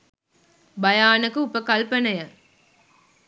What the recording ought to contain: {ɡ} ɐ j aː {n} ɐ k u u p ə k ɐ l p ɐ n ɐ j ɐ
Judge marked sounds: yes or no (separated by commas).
no, yes